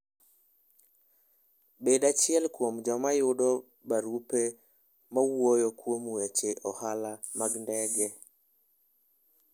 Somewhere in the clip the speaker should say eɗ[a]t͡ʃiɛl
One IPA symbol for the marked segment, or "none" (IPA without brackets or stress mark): a